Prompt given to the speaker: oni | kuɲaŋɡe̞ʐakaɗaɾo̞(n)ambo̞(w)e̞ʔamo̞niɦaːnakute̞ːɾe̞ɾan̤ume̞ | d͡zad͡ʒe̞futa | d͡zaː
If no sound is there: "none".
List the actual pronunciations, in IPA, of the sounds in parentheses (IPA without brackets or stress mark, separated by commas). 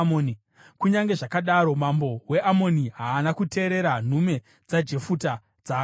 m, w